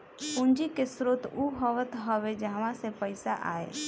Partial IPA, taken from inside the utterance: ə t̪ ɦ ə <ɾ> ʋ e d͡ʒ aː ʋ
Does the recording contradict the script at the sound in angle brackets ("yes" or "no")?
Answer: yes